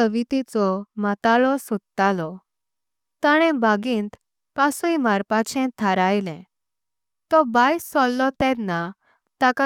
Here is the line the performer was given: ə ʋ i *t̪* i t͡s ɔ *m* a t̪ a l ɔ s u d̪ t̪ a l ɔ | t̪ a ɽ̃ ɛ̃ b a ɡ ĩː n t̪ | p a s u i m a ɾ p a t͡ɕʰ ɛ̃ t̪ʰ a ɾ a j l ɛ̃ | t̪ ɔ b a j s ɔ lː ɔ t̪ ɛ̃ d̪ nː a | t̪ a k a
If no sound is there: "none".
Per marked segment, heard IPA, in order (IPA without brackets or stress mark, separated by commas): t̪, m